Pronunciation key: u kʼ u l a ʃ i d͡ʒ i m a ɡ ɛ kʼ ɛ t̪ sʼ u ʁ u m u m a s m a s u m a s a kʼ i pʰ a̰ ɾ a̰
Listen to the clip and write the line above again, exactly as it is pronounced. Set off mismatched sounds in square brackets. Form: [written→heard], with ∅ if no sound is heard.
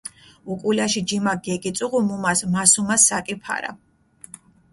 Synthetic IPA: u kʼ u l a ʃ i d͡ʒ i m a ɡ ɛ kʼ [ɛ→i] t̪ sʼ u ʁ u m u m a s m a s u m a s a kʼ i pʰ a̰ ɾ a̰

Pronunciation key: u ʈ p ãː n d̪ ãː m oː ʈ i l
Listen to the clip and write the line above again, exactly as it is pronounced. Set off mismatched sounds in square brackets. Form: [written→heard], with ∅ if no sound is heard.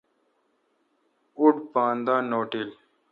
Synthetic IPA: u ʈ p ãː n d̪ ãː [m→n] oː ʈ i l

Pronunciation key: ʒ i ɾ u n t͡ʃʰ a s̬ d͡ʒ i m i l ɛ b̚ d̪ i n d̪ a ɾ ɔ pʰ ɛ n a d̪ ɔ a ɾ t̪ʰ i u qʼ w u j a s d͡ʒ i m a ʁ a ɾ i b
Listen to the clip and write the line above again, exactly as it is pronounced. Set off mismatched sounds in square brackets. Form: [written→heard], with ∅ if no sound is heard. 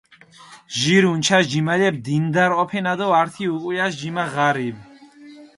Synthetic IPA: ʒ i ɾ u n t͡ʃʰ a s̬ d͡ʒ i m [i→a] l ɛ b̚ d̪ i n d̪ a ɾ ɔ pʰ ɛ n a d̪ ɔ a ɾ t̪ʰ i u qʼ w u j a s d͡ʒ i m a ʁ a ɾ i b

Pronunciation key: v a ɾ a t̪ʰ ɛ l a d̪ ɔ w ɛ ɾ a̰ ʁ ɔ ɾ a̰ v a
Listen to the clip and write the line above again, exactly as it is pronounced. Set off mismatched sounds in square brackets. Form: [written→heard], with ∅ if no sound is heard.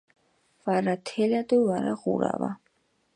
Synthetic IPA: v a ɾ a t̪ʰ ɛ l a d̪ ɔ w [ɛ→a] ɾ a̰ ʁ [ɔ→u] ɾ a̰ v a

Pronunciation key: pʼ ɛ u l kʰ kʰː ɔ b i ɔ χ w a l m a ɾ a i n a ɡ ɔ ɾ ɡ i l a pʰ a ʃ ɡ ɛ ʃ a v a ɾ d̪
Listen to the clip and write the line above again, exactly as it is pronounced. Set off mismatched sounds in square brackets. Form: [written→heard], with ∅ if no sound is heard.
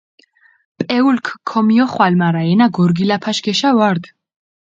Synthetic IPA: pʼ ɛ u l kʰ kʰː ɔ [b→m] i ɔ χ w a l m a ɾ a [i→ɛ] n a ɡ ɔ ɾ ɡ i l a pʰ a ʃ ɡ ɛ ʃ a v a ɾ d̪

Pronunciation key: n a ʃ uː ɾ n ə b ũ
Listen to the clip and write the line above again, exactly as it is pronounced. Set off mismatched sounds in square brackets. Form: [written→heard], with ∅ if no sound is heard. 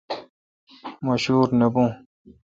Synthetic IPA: [n→m] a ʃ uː ɾ n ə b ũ

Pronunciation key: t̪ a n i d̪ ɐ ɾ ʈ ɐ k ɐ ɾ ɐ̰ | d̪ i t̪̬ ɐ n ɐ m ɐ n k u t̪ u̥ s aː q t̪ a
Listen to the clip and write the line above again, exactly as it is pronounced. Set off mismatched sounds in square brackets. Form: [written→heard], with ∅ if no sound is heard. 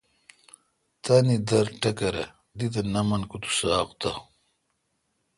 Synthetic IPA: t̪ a n i d̪ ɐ ɾ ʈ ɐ k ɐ ɾ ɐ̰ | d̪ i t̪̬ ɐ n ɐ m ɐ n k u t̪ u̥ s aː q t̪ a

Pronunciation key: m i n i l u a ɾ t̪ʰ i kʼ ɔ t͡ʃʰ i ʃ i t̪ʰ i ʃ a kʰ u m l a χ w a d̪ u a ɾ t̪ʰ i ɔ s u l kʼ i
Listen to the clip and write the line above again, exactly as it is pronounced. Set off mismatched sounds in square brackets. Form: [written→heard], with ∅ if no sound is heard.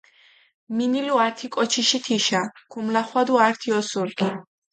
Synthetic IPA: m i n i l u a ɾ t̪ʰ i kʼ ɔ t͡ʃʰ i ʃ i t̪ʰ i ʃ a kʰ u m l a χ w a d̪ u a ɾ t̪ʰ i ɔ s u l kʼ i

